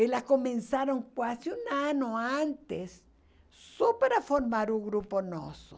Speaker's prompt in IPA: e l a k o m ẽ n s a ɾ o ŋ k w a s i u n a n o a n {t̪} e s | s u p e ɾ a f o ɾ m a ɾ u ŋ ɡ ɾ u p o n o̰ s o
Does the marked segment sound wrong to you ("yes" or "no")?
no